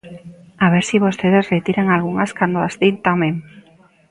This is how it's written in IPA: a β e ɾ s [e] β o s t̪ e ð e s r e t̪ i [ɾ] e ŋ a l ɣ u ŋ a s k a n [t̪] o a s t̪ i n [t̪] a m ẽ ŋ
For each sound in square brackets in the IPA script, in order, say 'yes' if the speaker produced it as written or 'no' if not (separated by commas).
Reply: no, yes, no, yes